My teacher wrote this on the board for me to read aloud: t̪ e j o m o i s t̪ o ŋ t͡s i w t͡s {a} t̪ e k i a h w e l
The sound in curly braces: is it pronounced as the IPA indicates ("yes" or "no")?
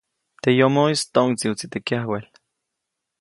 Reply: no